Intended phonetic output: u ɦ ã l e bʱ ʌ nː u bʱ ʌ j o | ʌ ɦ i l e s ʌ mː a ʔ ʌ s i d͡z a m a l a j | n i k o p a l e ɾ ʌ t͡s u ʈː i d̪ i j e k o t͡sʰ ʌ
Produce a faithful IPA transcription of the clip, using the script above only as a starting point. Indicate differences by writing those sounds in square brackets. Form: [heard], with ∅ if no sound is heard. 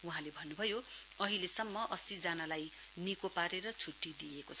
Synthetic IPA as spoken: u ɦ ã l e bʱ ʌ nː u bʱ ʌ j o | ʌ ɦ i l e s ʌ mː [ʌ] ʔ ʌ s i d͡z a [n] a l a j | n i k o p a [ɾ] e ɾ ʌ [t͡sʰ] u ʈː i d̪ i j e k o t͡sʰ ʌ

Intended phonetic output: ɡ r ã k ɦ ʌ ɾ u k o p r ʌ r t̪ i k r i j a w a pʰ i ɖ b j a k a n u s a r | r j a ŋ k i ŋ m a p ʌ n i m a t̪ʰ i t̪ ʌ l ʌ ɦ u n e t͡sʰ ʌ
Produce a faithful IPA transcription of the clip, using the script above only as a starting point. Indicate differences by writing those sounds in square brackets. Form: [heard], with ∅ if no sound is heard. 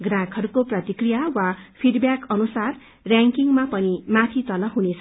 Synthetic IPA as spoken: ɡ r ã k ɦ ʌ ɾ u k o p r ʌ [∅] t̪ i k r i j a w a pʰ i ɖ b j a k [ʌ] n u s a r | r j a ŋ k i ŋ m a p ʌ n i m a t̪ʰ i t̪ ʌ l ʌ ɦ u n e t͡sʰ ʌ

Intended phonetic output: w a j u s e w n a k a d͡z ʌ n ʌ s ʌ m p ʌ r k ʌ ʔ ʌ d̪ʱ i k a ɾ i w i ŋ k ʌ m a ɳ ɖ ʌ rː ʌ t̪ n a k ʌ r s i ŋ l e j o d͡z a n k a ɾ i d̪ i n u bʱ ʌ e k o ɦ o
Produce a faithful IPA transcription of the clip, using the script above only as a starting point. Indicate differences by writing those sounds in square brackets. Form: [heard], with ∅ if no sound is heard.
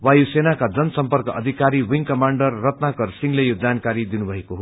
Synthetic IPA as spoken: w a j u s e [∅] n a k a d͡z ʌ n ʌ s ʌ m p ʌ r k ʌ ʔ ʌ d̪ʱ i k a ɾ i w i ŋ k ʌ m a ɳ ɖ ʌ rː ʌ t̪ n a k ʌ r s i ŋ l e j o d͡z a n k a ɾ i d̪ i n u bʱ ʌ e k o ɦ o

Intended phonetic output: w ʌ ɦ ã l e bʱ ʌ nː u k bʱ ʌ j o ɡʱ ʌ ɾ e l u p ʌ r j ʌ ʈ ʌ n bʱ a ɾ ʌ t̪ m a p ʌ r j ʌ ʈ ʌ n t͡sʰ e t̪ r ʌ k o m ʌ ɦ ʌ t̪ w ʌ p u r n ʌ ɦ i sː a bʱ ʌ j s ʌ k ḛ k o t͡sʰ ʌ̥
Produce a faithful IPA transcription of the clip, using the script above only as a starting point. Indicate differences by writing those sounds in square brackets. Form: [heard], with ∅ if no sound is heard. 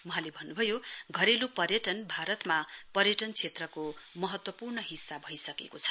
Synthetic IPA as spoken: w ʌ ɦ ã l e bʱ ʌ nː u [∅] bʱ ʌ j o ɡʱ ʌ ɾ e l u p ʌ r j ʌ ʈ ʌ n bʱ a ɾ ʌ t̪ m a p ʌ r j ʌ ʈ ʌ n t͡sʰ e t̪ r ʌ k o m ʌ ɦ ʌ t̪ w ʌ p u r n ʌ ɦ i sː a bʱ ʌ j s ʌ k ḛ k o t͡sʰ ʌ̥

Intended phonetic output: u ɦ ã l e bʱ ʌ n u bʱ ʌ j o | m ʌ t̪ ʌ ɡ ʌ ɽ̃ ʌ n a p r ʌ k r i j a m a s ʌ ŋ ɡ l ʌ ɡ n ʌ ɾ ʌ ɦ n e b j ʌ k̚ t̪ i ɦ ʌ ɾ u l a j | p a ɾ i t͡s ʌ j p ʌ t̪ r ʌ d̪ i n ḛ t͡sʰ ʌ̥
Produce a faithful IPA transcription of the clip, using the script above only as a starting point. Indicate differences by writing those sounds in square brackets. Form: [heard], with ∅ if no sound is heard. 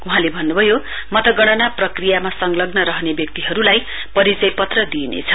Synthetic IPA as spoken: u ɦ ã l e bʱ ʌ [nː] u bʱ ʌ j o | m ʌ t̪ ʌ ɡ ʌ ɽ̃ ʌ n a p r ʌ k r i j a m a s ʌ ŋ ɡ l ʌ ɡ n ʌ ɾ ʌ ɦ n e b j ʌ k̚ t̪ i ɦ ʌ ɾ u l a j | p [ʌ] ɾ i t͡s ʌ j p ʌ t̪ r ʌ d̪ i n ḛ t͡sʰ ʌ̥

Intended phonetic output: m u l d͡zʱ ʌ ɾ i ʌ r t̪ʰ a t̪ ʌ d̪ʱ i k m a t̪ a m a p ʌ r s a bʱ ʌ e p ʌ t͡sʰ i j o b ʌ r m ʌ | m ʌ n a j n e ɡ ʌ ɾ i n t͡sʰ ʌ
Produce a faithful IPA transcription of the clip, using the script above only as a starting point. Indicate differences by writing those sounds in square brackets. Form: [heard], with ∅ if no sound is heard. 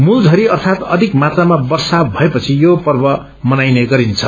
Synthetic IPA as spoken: m u l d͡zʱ ʌ ɾ i ʌ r t̪ʰ a t̪ ʌ d̪ʱ i k m a t̪ a m a [b] ʌ r s a bʱ ʌ e p ʌ t͡sʰ i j o [p] ʌ r [b] ʌ | m ʌ n a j n e ɡ ʌ ɾ i n t͡sʰ ʌ

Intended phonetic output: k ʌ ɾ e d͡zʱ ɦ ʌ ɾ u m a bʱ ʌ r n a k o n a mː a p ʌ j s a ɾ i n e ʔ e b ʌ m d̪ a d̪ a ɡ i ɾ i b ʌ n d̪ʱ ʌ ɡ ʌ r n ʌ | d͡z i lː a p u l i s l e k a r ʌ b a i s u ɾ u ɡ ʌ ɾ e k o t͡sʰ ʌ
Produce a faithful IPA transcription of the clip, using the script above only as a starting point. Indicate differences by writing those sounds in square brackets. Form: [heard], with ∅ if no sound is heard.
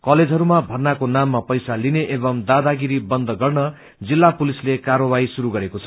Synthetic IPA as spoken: k ʌ [l] e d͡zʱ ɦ ʌ ɾ u m a bʱ ʌ r n a k o n a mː a p ʌ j s a [l] i n e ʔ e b ʌ m d̪ a d̪ a ɡ i ɾ i b ʌ n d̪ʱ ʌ ɡ ʌ r n ʌ | d͡z i lː a p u l i s l e k a r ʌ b a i s u ɾ u ɡ ʌ ɾ e k o t͡sʰ ʌ

